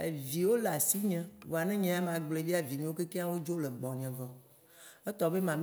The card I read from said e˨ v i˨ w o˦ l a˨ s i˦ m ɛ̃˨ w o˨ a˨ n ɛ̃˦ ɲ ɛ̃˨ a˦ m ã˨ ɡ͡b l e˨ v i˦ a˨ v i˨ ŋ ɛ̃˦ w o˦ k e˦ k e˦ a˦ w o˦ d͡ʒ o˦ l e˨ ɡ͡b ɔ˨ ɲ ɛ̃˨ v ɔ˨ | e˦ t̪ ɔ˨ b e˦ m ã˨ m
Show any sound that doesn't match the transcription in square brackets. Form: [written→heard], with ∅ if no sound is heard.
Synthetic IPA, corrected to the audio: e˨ v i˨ w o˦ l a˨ s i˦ [m→ɲ] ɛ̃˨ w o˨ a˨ n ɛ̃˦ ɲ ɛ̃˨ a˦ m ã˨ ɡ͡b l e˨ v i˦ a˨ v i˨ [ŋ→ɲ] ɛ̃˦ w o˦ k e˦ k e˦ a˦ w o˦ d͡ʒ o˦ l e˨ ɡ͡b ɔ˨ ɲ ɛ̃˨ v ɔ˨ | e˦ t̪ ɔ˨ b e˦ m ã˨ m